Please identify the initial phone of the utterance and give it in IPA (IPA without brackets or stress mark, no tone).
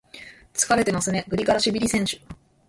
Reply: t͡s